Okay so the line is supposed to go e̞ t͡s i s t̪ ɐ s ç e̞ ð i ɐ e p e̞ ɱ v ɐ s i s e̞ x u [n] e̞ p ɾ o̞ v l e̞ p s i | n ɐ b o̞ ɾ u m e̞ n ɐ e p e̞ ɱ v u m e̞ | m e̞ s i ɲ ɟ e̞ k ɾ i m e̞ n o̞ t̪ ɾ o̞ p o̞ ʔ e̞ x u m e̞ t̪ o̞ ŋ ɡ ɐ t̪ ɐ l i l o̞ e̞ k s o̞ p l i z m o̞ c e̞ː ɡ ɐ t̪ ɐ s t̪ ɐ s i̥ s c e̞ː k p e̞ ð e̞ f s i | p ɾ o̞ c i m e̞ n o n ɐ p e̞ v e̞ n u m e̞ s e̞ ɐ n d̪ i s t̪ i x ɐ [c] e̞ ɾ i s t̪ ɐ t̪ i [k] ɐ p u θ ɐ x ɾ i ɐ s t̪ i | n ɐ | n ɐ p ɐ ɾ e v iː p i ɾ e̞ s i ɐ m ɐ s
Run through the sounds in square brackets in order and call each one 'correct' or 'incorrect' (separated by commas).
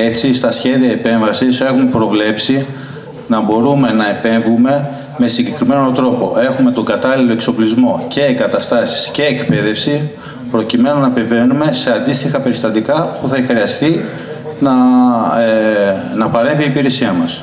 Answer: incorrect, incorrect, correct